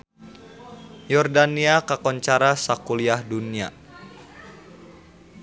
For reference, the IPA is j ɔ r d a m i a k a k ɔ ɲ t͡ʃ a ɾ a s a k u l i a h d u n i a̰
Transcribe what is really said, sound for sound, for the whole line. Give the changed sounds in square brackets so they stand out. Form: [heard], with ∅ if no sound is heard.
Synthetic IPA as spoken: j ɔ r d a [n] i a k a k ɔ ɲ t͡ʃ a ɾ a s a k u l i a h d u n i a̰